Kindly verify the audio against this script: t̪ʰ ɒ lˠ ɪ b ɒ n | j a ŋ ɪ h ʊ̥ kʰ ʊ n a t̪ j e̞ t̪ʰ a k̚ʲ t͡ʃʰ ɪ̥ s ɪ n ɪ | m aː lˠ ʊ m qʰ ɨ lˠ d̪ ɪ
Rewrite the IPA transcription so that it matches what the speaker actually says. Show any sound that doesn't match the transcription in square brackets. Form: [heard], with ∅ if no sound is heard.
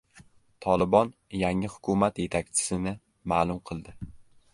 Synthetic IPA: t̪ʰ ɒ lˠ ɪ b ɒ n | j a ŋ ɪ h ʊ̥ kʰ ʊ [m] a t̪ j e̞ t̪ʰ a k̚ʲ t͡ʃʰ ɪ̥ s ɪ n ɪ | m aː lˠ ʊ m qʰ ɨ lˠ d̪ ɪ